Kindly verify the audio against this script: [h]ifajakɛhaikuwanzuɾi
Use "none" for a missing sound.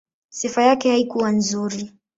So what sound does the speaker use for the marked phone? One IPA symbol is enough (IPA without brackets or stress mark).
s